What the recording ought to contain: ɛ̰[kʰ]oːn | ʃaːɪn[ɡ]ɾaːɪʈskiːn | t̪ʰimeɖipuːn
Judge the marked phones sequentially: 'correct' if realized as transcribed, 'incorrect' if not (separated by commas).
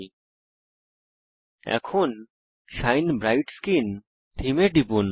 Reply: correct, incorrect